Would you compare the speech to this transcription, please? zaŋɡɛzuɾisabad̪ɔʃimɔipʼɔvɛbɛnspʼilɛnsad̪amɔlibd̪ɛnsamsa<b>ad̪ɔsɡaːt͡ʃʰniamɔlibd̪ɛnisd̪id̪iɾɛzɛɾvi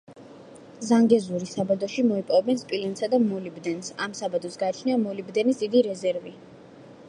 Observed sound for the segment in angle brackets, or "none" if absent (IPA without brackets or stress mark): b